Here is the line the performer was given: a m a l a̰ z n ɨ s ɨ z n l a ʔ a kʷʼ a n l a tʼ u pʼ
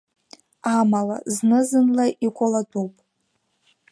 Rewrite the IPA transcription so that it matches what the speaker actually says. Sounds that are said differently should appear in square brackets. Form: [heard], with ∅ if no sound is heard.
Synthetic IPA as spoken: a m a l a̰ z n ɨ [z] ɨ [∅] n l a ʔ [i] kʷʼ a [∅] l a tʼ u pʼ